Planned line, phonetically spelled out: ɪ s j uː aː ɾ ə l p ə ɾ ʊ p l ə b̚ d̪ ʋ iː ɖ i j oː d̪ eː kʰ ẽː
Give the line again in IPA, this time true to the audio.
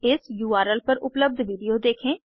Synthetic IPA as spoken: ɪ s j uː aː ɾ ə l p ə ɾ ʊ p l ə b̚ d̪ ʋ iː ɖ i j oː d̪ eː kʰ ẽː

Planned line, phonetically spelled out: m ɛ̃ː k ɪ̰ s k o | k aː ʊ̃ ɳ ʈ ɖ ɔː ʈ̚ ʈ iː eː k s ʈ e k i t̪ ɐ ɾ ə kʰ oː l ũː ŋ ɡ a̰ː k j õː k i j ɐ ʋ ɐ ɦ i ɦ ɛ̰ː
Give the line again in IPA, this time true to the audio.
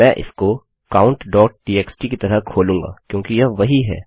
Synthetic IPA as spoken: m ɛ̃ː ʔ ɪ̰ s k o | k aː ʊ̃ ɳ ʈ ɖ ɔː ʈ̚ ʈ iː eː k s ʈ i k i t̪ ɐ ɾ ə kʰ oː l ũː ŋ ɡ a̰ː k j õː k i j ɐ ʋ ɐ ɦ i ɦ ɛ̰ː

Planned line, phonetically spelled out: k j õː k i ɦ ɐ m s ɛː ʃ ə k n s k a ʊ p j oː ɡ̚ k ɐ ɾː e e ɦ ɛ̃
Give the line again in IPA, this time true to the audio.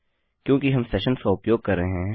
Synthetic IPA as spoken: k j õː k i ɦ ɐ m s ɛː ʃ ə n s k a ʊ p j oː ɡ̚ k ɐ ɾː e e ɦ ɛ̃

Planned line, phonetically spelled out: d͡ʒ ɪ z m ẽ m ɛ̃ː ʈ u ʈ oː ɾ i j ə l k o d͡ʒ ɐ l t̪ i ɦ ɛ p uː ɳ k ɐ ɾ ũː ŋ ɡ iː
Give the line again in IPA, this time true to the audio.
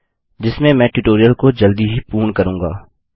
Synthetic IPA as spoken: d͡ʒ ɪ s m ẽ m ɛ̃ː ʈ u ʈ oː ɾ i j ə l k o d͡ʒ ɐ l d̪ i ɦ i p uː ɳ k ɐ ɾ ũː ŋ ɡ aː

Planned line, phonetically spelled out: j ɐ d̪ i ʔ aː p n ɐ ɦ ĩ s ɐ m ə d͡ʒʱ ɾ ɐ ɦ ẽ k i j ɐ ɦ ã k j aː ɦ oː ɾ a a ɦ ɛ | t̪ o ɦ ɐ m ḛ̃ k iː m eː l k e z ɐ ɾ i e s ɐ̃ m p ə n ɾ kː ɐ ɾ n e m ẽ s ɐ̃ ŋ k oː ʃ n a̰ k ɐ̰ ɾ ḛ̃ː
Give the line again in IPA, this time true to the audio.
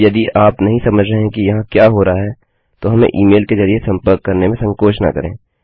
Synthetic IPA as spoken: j ɐ d̪ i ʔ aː p n ɐ ɦ ĩ s ɐ m ə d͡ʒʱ ɾ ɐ ɦ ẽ k i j ɐ ɦ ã k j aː ɦ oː ɾ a a ɦ ɛ | t̪ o ɦ ɐ m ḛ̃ ʔ iː m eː l k e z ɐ ɾ i e s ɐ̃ m p ə ɾ kː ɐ ɾ n e m ẽ s ɐ̃ ŋ k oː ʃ n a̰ k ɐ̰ ɾ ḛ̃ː

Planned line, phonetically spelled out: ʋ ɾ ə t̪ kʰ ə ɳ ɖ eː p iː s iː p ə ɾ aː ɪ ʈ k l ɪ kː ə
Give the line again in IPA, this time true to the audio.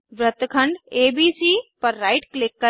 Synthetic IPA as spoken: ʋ ɾ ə t̪ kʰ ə ɳ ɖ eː b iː s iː p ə ɾː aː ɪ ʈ k l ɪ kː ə

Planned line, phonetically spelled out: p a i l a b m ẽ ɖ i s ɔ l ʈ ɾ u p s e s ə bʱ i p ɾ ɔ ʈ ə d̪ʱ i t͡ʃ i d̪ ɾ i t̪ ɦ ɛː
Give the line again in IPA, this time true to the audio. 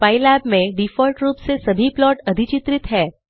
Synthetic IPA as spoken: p a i l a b m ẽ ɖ i f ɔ l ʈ ɾ u p s e s ə bʱ i p l ɔ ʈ ə d̪ʱ i t͡ʃ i t̪ ɾ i t̪ ɦ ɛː

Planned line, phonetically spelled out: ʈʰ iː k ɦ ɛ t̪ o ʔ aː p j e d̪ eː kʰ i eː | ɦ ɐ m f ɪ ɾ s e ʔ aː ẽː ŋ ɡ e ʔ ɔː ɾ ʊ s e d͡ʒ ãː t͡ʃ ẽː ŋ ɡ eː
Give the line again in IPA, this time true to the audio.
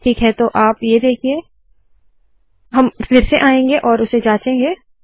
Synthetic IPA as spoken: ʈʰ iː k ɦ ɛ t̪ o ʔ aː p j e d̪ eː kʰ i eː | ɦ ɐ m f ɪ ɾ s e ʔ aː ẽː ŋ ɡ e ʔ ɔː ɾ ʊ s e d͡ʒ aː t͡ʃ ẽː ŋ ɡ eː

